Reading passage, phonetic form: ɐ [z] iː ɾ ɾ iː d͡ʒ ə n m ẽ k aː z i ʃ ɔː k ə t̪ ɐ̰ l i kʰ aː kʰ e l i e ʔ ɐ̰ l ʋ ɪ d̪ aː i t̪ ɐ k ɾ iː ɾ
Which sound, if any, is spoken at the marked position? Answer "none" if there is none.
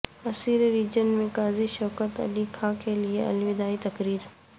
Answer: s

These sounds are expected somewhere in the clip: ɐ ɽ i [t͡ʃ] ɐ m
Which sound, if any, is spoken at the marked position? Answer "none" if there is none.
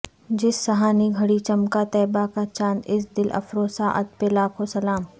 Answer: t͡ʃ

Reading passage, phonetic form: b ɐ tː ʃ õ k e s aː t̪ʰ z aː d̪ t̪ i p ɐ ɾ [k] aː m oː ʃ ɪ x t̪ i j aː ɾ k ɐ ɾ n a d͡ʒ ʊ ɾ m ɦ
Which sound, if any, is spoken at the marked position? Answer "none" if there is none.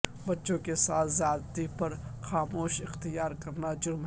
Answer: x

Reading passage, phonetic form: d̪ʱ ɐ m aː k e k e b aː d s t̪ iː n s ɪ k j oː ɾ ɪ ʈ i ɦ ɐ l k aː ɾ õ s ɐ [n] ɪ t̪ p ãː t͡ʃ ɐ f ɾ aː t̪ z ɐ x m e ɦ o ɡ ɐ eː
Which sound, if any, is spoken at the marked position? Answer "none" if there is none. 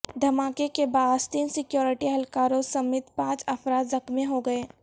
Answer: m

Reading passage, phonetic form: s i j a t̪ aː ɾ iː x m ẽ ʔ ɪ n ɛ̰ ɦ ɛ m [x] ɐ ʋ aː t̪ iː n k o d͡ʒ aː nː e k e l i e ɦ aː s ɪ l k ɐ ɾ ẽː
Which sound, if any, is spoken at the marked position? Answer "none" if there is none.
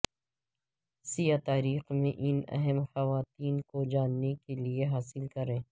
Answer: x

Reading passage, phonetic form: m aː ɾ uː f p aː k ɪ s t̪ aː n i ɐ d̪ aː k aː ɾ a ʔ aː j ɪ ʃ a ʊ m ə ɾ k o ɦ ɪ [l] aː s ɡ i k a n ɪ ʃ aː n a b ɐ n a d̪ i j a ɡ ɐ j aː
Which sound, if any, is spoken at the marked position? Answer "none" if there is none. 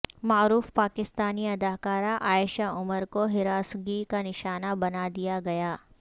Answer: ɾ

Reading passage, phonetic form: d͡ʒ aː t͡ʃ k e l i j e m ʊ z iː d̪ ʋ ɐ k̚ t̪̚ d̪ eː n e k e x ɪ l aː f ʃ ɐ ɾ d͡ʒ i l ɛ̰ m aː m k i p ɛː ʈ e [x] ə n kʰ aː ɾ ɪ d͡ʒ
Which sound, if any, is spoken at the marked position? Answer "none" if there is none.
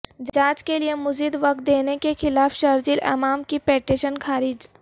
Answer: ʃ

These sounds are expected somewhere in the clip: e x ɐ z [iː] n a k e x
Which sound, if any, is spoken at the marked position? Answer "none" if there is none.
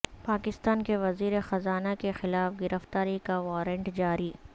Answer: aː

